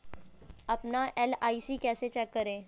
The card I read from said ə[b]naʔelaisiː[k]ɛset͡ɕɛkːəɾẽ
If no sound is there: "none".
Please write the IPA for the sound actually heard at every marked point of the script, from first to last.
p, k

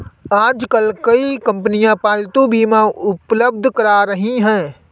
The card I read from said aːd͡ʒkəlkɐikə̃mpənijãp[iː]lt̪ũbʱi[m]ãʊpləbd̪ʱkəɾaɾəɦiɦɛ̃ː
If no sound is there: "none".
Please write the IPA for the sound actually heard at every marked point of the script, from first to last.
aː, m

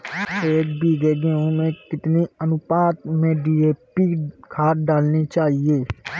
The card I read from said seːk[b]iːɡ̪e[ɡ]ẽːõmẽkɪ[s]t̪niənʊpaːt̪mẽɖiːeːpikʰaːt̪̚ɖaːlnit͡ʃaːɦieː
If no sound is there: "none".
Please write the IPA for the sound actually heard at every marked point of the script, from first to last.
b, ɡ, none

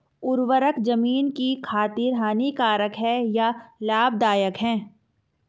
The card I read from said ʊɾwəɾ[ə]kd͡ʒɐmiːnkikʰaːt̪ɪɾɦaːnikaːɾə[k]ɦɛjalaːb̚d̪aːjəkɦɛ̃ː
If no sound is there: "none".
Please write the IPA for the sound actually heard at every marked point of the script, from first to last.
ə, k

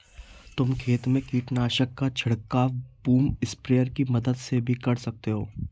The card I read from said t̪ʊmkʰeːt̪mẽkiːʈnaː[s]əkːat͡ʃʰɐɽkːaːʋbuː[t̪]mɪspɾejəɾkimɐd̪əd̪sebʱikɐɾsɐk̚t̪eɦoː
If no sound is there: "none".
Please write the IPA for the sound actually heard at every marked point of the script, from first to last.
ʃ, none

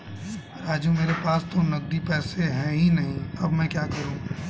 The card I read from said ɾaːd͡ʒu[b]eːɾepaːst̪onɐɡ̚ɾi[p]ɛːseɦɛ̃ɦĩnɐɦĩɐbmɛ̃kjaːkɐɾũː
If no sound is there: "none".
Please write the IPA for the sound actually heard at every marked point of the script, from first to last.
m, p

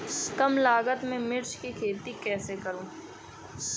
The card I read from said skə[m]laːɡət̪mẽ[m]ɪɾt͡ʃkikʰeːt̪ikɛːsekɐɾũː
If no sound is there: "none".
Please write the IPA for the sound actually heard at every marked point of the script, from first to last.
m, m

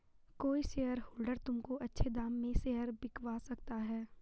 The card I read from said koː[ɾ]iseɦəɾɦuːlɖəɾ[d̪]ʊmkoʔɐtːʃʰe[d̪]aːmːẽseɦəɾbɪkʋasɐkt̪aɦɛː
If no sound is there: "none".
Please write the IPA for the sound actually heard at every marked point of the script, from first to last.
none, t̪, d̪

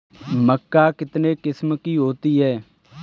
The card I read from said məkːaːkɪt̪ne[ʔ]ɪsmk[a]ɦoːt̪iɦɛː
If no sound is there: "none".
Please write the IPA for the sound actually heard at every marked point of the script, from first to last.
k, i

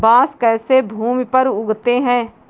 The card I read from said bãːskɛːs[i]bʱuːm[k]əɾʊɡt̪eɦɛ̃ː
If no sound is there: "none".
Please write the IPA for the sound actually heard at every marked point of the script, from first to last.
e, p

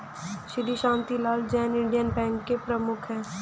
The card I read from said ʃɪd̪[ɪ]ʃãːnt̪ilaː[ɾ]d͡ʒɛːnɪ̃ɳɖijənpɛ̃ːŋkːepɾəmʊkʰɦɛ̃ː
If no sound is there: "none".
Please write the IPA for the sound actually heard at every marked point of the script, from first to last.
i, l

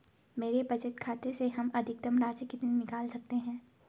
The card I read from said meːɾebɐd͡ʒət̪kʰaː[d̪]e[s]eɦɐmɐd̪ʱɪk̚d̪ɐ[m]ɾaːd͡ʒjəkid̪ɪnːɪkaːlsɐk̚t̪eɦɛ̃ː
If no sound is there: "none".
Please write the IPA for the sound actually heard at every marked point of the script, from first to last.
t̪, s, m

